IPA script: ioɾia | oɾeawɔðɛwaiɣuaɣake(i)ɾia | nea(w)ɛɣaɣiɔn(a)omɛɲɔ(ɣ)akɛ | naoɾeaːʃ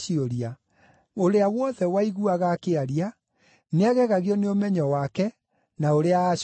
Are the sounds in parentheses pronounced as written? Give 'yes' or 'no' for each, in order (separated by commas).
no, no, no, no